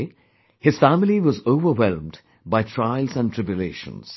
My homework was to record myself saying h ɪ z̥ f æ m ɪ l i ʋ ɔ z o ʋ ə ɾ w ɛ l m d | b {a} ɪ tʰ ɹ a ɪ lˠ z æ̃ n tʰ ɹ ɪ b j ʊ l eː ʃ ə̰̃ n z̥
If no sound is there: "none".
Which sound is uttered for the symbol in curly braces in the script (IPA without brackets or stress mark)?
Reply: a